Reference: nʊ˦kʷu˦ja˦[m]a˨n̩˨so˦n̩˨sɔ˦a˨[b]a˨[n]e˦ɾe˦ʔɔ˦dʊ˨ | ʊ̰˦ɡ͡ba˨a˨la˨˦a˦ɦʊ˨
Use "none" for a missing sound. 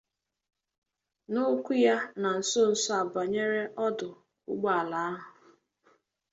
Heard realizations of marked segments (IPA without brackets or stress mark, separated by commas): n, b, ɲ